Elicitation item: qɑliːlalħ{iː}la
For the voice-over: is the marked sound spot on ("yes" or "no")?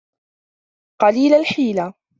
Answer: yes